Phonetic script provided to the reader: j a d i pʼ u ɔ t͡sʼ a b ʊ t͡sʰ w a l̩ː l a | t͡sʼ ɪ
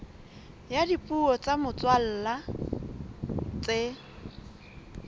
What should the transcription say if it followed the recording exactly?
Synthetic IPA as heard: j a d i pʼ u ɔ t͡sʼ a m ʊ t͡s w a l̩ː l a | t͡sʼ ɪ